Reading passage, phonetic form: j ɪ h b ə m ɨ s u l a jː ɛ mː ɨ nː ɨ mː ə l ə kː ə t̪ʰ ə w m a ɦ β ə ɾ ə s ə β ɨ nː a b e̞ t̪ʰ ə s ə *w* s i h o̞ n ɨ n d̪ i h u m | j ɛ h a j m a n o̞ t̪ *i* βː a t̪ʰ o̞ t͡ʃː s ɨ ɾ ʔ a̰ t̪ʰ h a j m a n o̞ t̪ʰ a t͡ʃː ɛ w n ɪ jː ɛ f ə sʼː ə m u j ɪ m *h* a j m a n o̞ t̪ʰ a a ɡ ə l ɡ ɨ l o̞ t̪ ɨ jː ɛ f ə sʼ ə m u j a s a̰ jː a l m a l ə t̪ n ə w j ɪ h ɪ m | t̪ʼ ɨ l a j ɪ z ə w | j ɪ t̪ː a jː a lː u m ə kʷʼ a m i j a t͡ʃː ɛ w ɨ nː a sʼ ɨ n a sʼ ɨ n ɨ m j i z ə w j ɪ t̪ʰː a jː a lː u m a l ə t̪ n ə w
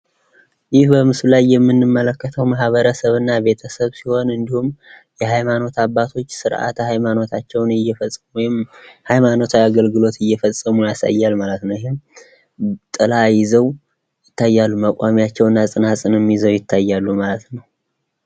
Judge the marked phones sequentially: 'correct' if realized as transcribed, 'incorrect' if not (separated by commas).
incorrect, incorrect, correct